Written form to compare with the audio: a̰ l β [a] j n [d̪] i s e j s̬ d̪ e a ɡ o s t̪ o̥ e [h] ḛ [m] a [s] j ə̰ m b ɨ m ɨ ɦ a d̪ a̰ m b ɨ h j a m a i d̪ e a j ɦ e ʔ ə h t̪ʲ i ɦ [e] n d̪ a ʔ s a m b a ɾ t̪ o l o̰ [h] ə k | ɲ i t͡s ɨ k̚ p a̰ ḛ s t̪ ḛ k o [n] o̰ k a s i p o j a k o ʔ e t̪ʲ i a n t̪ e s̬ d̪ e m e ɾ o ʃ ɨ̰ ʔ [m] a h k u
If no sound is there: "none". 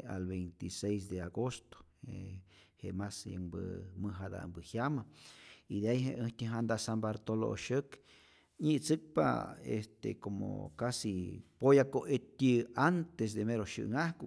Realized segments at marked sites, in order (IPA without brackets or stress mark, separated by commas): e, t̪, h, m, s, a, ʃ, m, ŋ